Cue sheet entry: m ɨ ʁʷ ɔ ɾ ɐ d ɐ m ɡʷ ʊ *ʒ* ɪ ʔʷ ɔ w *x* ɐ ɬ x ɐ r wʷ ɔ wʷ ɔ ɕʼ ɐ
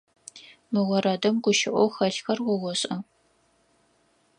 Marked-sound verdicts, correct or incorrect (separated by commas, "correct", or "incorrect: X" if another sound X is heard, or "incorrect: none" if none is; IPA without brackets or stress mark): incorrect: ʃ, correct